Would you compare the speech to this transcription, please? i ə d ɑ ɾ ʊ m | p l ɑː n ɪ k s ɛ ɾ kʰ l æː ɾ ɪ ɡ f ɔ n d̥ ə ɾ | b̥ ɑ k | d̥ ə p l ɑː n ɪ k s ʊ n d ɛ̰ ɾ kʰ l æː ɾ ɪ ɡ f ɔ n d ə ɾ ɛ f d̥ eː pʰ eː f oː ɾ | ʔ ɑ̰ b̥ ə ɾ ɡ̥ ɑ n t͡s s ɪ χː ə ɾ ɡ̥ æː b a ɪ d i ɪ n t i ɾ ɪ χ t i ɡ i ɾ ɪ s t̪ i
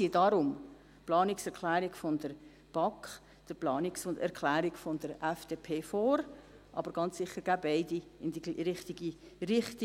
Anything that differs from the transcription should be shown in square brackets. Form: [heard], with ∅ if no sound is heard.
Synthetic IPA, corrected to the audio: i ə d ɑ ɾ ʊ m | p l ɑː n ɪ k s ɛ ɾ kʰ l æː ɾ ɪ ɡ f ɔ n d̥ ə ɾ | b̥ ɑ k | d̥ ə p l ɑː n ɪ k s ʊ n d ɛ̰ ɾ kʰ l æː ɾ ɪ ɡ f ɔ n d ə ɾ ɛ f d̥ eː pʰ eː f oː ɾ | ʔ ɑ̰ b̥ ə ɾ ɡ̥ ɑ n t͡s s ɪ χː ə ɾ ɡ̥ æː b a ɪ d i ɪ n [d] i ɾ ɪ χ t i ɡ i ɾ ɪ [χ] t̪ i